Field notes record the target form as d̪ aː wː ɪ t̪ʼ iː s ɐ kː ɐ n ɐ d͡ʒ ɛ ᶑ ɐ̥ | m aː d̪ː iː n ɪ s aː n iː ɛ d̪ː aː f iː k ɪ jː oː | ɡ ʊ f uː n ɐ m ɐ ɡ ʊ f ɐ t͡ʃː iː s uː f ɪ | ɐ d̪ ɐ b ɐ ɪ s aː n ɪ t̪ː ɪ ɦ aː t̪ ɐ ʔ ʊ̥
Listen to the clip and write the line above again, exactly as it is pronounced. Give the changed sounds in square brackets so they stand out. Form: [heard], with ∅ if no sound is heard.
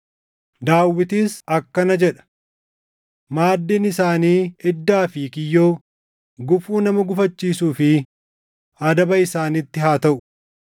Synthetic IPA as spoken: d̪ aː wː ɪ [t̪] iː s ɐ kː ɐ n ɐ d͡ʒ ɛ ᶑ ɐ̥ | m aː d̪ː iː n ɪ s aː n iː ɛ d̪ː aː f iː k ɪ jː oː | ɡ ʊ f uː n ɐ m ɐ ɡ ʊ f ɐ t͡ʃː iː s uː f ɪ | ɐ d̪ ɐ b ɐ ɪ s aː n ɪ t̪ː ɪ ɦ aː t̪ ɐ ʔ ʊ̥